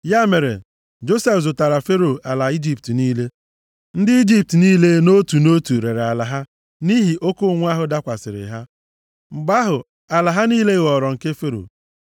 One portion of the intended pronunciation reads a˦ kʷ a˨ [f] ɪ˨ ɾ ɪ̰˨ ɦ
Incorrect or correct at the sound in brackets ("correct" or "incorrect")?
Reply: incorrect